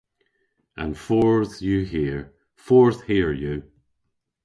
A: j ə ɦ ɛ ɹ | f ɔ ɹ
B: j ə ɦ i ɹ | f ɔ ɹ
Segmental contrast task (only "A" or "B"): B